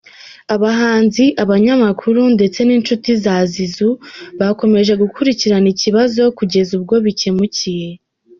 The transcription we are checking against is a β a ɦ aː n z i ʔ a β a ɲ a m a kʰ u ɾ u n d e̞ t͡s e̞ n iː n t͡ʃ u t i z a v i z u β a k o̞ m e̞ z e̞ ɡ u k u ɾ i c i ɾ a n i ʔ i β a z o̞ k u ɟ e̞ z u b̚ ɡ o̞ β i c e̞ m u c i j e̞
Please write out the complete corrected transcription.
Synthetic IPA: a β a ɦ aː n z i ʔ a β a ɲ a m a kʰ u ɾ u n d e̞ t͡s e̞ n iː n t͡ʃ u t i z a z i z u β a k o̞ m e̞ ʒ e̞ ɡ u k u ɾ i c i ɾ a n i c i β a z o̞ k u ɟ e̞ z u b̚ ɡ o̞ β i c e̞ m u c i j e̞